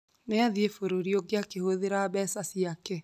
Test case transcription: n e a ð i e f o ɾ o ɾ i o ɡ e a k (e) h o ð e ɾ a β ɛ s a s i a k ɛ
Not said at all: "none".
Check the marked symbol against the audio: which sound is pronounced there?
e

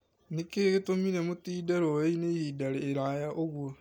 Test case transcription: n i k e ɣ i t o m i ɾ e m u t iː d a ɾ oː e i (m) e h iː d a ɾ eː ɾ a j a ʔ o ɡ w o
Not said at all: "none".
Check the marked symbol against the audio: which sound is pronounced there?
n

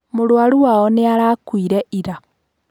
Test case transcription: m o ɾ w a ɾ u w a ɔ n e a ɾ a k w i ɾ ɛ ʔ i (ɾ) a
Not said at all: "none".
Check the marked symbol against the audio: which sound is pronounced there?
ɾ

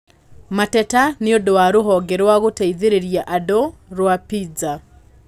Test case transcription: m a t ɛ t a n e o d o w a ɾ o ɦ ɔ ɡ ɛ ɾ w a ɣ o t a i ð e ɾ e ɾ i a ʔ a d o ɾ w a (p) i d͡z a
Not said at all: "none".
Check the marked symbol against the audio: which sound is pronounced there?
p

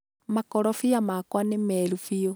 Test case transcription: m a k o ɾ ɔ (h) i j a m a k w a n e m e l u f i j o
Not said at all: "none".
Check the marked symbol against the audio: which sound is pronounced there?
f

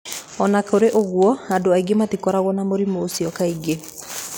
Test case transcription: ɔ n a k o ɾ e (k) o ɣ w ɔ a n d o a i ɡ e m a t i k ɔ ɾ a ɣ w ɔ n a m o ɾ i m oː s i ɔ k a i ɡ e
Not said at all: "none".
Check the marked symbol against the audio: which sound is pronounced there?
ʔ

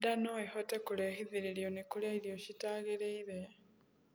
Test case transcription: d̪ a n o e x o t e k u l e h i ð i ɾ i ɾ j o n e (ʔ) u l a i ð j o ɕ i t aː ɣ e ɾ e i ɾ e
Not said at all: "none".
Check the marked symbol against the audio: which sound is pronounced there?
k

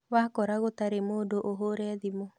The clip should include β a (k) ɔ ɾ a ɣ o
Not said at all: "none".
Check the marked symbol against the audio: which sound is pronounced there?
k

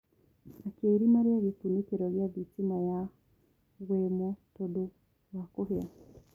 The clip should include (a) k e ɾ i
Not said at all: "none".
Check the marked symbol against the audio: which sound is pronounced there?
a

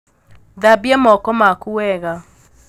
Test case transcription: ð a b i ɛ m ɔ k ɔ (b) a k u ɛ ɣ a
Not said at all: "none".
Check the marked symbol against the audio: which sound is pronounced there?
m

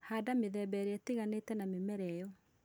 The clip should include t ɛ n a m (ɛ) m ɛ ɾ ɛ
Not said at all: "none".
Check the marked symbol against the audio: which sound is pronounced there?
e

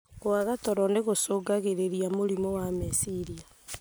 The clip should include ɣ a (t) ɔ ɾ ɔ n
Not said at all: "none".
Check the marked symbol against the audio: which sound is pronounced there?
t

